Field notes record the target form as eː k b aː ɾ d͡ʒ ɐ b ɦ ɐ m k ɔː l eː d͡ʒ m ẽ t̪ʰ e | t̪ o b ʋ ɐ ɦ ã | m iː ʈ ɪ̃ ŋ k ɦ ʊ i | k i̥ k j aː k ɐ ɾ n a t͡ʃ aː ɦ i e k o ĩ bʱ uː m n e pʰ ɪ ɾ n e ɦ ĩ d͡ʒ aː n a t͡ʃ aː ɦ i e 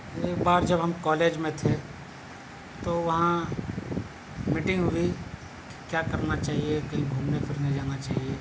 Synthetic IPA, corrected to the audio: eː k b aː ɾ d͡ʒ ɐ b ɦ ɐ m k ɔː l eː d͡ʒ m ẽ t̪ʰ e | t̪ o ʋ ɐ ɦ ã | m iː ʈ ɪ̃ ŋ ɡ ɦ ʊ i | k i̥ k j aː k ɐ ɾ n a t͡ʃ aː ɦ i e k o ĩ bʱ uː m n e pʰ ɪ ɾ n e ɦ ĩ d͡ʒ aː n a t͡ʃ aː ɦ i e